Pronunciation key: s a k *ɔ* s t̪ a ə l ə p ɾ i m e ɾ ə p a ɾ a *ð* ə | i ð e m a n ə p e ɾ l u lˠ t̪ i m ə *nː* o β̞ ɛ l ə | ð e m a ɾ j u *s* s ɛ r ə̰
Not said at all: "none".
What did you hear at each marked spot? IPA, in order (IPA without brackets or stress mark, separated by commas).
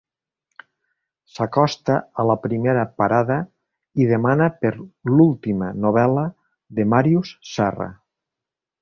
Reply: ɔ, ð, n, s